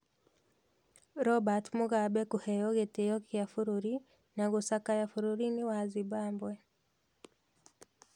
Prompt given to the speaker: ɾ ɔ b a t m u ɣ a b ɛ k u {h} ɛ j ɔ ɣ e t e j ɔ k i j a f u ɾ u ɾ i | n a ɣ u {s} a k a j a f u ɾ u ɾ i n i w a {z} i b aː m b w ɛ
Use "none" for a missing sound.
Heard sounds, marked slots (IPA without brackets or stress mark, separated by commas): h, s, z